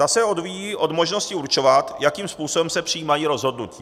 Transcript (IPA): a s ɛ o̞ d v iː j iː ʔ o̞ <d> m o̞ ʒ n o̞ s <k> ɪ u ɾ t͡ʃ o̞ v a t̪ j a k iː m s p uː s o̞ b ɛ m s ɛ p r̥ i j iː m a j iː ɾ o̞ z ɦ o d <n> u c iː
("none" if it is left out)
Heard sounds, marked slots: d, c, n

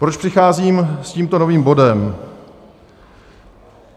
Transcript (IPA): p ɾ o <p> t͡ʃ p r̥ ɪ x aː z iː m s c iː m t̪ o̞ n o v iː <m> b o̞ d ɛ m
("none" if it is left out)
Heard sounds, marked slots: none, m

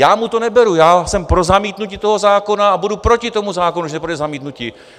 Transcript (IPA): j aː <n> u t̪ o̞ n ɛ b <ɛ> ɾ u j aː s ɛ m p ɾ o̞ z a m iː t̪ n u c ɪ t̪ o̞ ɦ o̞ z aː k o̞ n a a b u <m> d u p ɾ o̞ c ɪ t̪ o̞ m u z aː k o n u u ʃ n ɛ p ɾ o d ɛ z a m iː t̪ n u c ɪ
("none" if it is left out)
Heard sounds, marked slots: m, ɛ, none

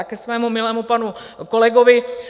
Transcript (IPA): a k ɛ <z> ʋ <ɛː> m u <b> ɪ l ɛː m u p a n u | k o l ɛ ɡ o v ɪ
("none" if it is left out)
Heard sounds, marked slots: s, ɛː, m

